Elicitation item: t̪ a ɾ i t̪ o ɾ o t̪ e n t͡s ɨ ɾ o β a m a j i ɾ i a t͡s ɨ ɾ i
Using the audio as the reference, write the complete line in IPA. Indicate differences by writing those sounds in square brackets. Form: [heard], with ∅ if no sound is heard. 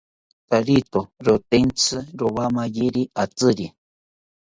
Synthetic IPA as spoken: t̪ a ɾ i t̪ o ɾ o t̪ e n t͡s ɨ ɾ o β a m a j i ɾ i a t͡s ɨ ɾ i